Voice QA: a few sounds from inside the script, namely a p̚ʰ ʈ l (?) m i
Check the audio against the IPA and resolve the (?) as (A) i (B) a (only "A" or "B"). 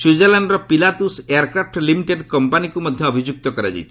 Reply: A